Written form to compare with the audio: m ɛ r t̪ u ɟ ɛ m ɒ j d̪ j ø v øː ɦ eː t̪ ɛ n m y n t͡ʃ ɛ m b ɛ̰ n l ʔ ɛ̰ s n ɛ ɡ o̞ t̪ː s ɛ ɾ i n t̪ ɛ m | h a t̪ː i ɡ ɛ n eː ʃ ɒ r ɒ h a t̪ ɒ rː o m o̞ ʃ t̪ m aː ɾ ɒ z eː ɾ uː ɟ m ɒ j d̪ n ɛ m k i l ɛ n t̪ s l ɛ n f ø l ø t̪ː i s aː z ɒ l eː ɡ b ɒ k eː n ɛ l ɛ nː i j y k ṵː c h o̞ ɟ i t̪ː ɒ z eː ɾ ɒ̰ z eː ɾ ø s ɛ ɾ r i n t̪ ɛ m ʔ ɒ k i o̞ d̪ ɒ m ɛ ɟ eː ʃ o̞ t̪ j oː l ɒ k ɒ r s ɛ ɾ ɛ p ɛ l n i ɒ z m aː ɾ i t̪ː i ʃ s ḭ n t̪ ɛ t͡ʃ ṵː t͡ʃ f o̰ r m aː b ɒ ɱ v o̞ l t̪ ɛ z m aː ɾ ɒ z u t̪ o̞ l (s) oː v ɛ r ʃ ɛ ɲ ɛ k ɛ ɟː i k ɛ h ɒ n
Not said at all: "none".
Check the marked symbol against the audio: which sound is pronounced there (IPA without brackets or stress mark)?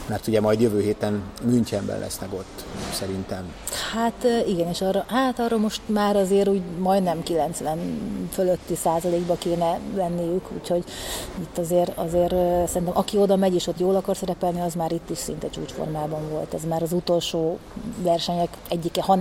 ʃ